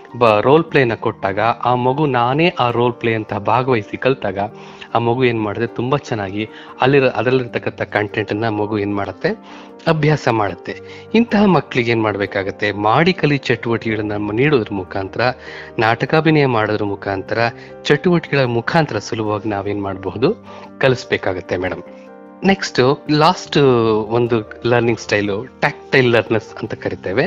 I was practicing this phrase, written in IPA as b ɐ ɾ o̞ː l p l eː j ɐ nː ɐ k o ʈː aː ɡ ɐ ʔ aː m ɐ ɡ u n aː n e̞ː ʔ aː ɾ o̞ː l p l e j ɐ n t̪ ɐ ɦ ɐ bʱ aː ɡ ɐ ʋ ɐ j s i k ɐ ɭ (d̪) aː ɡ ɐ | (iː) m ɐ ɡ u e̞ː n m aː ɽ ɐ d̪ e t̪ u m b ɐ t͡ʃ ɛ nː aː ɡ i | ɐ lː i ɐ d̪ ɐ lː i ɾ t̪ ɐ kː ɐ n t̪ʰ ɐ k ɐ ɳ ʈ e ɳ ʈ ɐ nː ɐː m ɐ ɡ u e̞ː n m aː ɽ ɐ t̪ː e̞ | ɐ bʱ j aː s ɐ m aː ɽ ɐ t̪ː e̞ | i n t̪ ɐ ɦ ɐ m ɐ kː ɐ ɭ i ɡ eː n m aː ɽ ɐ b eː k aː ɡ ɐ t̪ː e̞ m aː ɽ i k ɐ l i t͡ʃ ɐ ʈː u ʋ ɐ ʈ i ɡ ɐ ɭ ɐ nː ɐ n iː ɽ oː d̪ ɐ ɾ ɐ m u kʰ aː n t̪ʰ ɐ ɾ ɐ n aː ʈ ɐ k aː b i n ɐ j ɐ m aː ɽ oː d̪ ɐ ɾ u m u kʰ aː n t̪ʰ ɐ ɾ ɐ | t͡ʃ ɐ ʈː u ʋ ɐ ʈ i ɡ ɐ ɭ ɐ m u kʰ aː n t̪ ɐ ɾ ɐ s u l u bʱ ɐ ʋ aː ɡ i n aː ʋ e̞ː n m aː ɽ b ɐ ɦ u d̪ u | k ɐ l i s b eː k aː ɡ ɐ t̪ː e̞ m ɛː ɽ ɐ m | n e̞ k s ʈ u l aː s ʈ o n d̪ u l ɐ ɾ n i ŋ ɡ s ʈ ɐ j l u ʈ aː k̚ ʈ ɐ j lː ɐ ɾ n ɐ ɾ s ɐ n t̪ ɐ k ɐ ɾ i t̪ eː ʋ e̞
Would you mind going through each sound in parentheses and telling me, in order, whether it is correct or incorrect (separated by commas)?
incorrect, incorrect